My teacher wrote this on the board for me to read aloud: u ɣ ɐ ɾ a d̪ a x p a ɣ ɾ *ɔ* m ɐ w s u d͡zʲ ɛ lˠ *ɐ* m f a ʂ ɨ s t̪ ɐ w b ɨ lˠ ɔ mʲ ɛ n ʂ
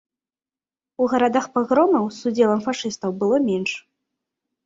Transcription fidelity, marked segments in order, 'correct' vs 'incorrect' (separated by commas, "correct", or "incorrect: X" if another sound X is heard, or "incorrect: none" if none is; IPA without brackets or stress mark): correct, correct